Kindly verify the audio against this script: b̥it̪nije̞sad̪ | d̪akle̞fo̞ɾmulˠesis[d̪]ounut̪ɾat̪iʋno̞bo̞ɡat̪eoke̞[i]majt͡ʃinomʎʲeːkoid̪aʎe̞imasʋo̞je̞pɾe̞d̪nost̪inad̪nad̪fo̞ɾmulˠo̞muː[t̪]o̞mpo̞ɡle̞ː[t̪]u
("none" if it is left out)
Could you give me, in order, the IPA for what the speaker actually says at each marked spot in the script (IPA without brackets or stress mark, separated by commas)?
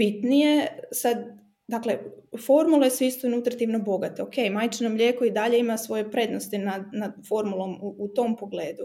t̪, j, t̪, d̪